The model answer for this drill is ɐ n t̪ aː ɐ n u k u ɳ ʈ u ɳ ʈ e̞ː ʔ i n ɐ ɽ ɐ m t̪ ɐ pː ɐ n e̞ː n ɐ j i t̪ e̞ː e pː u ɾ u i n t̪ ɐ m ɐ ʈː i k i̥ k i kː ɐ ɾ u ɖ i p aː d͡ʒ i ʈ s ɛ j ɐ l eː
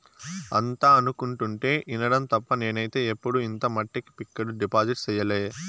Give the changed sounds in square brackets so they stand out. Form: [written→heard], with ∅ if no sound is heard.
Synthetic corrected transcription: ɐ n t̪ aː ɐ n u k u ɳ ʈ u ɳ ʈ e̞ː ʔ i n ɐ ɽ ɐ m t̪ ɐ pː ɐ n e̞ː n ɐ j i t̪ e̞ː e pː u [ɾ→ɽ] u i n t̪ ɐ m ɐ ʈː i k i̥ [k→p] i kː ɐ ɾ u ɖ i p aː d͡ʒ i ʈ s ɛ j ɐ l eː